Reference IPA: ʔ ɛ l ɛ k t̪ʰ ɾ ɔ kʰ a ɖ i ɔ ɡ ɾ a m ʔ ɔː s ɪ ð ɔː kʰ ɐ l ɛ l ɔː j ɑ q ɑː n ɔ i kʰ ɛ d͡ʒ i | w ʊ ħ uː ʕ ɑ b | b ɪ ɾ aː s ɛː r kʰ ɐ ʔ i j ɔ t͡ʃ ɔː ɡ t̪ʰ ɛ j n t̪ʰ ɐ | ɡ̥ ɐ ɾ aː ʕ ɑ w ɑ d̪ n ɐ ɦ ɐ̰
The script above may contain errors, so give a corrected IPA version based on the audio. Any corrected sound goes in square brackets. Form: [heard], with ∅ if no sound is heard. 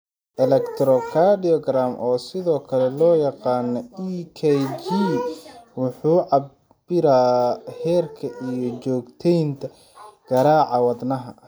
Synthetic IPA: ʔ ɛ l ɛ k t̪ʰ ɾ ɔ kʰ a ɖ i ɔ ɡ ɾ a m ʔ ɔː s ɪ ð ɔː kʰ ɐ l ɛ l ɔː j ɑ q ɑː n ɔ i kʰ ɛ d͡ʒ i | w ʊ ħ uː ʕ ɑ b | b ɪ ɾ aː [h] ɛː r kʰ ɐ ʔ i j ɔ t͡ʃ ɔː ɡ t̪ʰ ɛ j n t̪ʰ ɐ | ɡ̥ ɐ ɾ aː ʕ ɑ w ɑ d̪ n ɐ ɦ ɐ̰